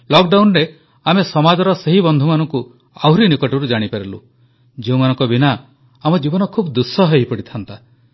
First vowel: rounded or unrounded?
rounded